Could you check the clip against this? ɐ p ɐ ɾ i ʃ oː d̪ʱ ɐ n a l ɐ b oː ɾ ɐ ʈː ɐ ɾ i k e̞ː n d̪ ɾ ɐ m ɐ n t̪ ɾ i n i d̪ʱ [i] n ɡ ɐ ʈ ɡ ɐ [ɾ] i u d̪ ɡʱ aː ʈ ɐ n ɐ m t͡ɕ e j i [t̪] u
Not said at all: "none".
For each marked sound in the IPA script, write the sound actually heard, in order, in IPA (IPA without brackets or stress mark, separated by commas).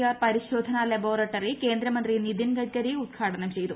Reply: i, ɾ, t̪